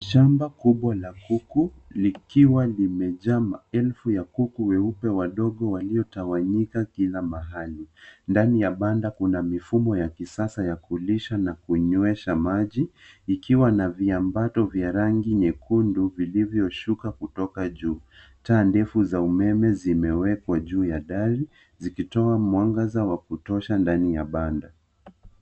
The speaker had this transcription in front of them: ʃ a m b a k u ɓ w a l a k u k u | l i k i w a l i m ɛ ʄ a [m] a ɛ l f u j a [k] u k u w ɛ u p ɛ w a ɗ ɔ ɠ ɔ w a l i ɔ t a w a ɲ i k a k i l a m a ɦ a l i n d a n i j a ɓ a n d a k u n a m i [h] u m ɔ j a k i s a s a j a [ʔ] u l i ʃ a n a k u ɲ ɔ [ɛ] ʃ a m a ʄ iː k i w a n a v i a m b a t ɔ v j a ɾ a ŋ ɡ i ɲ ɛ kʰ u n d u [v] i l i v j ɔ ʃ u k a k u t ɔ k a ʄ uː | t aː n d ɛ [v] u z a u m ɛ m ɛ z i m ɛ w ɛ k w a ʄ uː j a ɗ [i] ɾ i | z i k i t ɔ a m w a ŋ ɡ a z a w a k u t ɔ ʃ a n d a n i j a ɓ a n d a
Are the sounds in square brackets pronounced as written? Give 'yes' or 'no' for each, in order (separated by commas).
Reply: yes, yes, no, no, yes, yes, no, no